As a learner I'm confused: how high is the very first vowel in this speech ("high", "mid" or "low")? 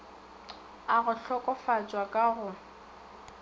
low